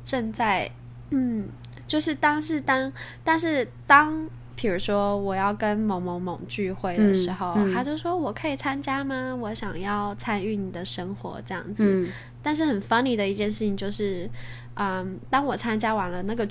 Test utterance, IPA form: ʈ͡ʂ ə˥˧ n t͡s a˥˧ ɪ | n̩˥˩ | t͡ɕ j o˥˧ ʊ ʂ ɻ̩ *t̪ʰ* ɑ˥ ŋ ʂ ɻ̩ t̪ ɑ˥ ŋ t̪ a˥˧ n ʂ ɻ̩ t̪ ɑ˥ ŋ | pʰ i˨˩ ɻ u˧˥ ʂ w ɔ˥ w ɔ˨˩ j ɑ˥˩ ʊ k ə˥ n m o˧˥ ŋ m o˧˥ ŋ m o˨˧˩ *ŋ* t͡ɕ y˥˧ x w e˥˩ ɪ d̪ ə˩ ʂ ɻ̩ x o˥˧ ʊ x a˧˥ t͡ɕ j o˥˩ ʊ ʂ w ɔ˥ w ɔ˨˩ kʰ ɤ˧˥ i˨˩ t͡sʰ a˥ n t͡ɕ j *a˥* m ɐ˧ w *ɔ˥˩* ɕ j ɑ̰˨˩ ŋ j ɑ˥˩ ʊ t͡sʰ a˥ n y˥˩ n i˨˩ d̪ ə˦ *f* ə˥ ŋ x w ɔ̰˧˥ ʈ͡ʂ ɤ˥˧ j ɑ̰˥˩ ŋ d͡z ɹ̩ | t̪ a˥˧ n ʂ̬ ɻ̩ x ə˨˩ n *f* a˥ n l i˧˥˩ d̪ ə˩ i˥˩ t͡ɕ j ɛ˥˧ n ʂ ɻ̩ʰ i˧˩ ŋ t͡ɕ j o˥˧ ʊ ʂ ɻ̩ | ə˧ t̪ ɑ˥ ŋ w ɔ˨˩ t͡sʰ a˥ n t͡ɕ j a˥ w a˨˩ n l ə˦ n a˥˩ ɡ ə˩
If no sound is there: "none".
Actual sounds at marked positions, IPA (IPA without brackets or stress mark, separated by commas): t̪, ŋ, a˥, ɔ˧˥, ʂ, f